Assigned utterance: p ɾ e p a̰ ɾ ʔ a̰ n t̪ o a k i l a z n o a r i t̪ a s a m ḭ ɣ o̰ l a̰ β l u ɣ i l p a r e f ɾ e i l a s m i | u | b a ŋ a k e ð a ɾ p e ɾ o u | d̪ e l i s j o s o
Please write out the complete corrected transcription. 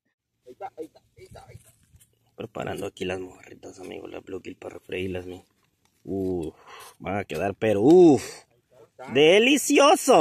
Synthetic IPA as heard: p ɾ e p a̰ ɾ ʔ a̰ n d̪ o a k i l a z m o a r i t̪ a s a m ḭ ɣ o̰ l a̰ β l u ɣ i l p a r e f ɾ e i l a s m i | u | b a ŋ a k e ð a ɾ p e ɾ o u | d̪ e l i s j o s o